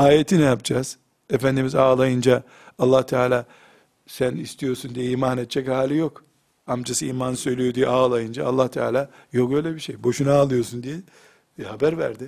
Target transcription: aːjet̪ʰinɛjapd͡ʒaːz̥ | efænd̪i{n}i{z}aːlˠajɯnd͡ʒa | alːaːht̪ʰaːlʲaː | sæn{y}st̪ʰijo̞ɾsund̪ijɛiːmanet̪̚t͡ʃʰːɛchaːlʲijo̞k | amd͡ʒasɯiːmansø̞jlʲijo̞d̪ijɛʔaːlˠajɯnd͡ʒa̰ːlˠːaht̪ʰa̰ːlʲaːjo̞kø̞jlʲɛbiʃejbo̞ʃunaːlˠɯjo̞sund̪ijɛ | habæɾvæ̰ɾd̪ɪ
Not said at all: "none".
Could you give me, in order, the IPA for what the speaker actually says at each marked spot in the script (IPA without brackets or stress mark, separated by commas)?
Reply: m, z, i